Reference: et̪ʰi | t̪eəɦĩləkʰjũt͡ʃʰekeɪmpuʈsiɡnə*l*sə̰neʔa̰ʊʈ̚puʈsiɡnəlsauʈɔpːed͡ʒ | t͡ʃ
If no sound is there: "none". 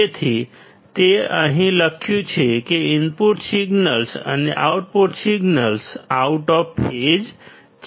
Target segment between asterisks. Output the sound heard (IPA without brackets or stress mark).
l